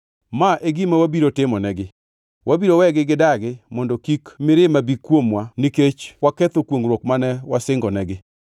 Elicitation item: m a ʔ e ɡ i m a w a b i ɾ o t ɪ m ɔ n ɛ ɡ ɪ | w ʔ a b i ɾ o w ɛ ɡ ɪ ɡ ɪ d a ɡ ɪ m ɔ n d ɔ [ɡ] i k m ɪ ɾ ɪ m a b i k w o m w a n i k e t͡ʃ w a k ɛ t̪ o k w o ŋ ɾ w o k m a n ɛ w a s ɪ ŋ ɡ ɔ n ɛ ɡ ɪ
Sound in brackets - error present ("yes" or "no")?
yes